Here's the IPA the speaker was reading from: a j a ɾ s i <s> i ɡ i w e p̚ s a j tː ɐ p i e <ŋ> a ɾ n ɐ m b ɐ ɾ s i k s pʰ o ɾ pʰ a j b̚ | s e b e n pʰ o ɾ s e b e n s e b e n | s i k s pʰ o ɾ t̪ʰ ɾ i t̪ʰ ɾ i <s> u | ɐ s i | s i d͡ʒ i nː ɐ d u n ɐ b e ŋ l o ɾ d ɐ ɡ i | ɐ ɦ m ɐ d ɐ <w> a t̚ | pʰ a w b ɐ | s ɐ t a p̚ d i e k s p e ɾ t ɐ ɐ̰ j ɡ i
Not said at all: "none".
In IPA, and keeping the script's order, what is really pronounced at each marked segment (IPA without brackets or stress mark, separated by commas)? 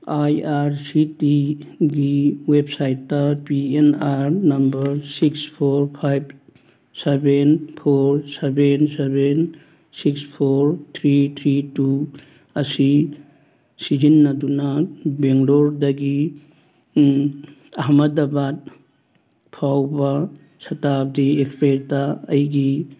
t, n, t, b